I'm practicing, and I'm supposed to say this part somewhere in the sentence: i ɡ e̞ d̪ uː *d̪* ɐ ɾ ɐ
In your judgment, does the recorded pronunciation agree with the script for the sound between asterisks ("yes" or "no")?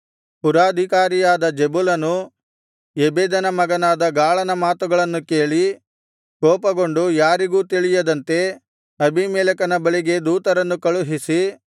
no